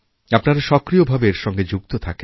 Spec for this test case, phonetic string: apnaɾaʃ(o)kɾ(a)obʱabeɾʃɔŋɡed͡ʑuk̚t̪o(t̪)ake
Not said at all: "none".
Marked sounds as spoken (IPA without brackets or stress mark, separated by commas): ɔ, i, t̪ʰ